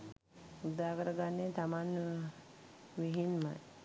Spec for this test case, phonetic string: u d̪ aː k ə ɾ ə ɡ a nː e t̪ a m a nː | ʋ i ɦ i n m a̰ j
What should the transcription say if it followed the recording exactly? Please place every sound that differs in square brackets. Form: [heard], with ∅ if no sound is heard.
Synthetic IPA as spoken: u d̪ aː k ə ɾ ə ɡ a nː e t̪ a m a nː | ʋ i ɦ i n m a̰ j